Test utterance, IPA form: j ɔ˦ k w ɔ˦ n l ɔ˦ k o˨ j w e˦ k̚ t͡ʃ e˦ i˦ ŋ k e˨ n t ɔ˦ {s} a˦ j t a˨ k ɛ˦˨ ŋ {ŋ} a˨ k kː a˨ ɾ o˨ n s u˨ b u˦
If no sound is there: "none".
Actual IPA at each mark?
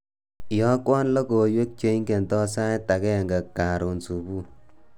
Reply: s, ɡ

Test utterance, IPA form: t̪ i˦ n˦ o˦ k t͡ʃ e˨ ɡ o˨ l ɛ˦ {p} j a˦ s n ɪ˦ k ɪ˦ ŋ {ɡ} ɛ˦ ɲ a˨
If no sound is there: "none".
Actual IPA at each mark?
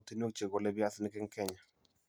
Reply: b, k

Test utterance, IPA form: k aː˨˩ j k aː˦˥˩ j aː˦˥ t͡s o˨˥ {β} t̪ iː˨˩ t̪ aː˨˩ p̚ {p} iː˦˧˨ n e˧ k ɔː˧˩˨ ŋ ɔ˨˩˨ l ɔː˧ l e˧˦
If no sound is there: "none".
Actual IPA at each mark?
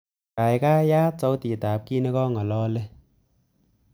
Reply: w, k

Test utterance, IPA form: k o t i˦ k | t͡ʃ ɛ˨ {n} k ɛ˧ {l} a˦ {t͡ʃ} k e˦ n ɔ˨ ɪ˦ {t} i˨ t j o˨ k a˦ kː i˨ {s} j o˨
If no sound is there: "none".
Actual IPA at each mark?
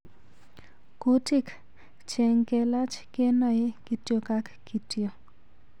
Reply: ŋ, l, t͡ʃ, k, t

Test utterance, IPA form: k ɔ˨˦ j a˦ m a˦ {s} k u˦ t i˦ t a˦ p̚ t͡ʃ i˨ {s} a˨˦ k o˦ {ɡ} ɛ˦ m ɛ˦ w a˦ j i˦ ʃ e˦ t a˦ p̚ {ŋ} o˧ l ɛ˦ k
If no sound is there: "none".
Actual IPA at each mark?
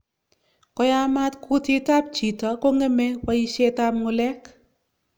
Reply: t, t, ŋ, ŋ

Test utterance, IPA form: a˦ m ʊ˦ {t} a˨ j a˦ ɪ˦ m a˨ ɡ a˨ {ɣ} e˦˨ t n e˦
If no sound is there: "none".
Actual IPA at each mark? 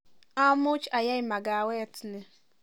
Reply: t͡ʃ, w

